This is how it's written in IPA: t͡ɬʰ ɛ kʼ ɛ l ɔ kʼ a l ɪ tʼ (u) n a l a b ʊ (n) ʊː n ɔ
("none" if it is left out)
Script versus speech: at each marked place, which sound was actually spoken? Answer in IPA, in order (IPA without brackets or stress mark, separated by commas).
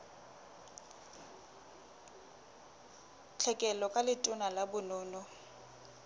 ʊ, n